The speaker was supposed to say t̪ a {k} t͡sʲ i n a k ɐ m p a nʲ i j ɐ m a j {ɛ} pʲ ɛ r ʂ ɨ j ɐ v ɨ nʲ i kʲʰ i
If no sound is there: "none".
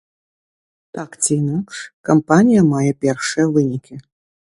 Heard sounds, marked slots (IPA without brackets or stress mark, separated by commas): k, ɛ